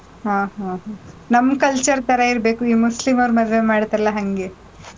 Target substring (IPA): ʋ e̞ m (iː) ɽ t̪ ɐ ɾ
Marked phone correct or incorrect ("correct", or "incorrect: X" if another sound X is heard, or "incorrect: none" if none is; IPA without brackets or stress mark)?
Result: incorrect: aː